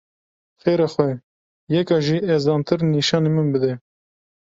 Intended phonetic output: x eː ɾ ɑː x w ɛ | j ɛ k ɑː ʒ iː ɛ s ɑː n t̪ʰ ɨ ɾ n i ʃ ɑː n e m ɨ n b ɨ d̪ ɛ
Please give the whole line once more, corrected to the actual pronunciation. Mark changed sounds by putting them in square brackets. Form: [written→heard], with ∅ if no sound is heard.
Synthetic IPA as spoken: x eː ɾ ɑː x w ɛ | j ɛ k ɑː ʒ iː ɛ [s→z] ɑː n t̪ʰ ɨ ɾ n i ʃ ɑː n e m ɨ n b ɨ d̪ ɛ